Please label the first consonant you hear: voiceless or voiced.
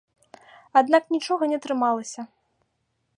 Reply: voiced